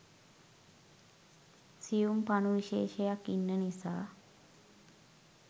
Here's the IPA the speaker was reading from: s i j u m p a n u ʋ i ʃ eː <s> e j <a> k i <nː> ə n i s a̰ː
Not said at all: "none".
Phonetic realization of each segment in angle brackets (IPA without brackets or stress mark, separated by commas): ʃ, a, nː